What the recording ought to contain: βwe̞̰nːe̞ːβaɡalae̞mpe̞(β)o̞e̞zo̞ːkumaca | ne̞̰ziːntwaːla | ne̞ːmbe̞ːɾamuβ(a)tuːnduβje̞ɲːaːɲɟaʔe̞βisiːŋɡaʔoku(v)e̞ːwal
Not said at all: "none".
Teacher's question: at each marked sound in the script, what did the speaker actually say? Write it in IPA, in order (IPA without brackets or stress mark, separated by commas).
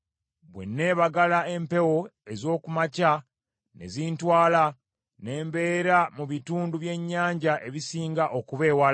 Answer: w, i, β